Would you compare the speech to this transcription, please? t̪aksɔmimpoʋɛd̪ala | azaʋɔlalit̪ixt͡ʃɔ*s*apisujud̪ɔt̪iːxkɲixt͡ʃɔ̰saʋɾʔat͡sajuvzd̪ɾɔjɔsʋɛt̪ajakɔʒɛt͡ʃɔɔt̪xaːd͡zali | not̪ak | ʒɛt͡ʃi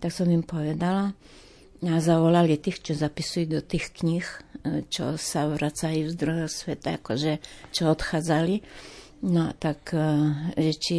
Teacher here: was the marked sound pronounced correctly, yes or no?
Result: no